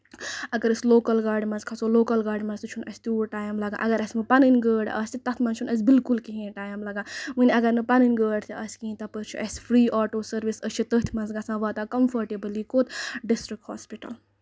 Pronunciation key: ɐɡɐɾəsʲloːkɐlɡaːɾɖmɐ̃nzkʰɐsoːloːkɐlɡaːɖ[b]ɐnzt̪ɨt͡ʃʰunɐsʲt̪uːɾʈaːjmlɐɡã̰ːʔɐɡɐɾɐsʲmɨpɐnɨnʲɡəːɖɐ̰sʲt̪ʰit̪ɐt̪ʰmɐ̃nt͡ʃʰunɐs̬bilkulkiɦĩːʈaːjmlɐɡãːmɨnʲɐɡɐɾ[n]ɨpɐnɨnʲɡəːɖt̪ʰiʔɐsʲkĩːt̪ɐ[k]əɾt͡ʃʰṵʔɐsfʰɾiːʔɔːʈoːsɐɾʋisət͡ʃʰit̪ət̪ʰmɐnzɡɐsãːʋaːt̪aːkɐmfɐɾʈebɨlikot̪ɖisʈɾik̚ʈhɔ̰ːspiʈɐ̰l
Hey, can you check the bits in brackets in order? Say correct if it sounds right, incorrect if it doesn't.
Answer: incorrect: m, correct, incorrect: p

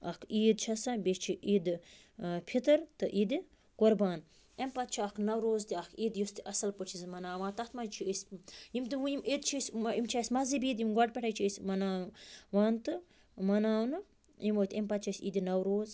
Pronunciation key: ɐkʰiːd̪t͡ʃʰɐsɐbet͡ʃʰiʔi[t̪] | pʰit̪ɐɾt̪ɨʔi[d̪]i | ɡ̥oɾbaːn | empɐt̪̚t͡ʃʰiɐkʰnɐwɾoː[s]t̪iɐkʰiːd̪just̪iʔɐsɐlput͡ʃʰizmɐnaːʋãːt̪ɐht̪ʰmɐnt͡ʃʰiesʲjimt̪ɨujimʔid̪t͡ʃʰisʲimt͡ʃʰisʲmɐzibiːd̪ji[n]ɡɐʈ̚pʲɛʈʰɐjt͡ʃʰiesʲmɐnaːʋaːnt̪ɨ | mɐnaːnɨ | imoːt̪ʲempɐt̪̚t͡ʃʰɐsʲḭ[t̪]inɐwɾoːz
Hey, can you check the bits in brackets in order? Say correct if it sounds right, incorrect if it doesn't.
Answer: incorrect: d̪, correct, incorrect: z, incorrect: m, incorrect: d̪

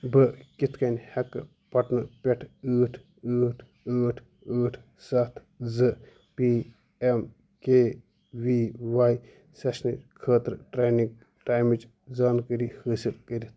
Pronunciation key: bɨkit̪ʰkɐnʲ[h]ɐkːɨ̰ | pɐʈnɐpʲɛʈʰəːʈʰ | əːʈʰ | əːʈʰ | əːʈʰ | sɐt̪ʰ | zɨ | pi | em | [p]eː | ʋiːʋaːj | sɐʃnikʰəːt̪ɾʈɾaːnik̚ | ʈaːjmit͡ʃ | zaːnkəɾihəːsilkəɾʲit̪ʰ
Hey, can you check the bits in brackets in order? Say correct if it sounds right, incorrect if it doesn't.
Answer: correct, incorrect: k

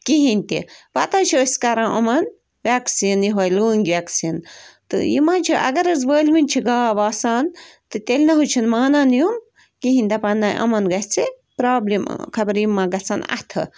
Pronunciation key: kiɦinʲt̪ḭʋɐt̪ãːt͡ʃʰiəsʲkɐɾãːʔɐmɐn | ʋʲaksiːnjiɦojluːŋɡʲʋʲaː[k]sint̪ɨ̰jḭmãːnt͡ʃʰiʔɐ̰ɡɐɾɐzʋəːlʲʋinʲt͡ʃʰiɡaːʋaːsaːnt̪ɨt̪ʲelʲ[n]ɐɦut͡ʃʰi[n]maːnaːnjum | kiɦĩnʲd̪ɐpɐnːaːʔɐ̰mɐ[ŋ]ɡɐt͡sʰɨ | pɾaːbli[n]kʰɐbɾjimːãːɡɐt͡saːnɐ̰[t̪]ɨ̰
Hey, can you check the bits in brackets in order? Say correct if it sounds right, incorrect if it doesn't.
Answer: correct, correct, correct, incorrect: n, incorrect: m, incorrect: t̪ʰ

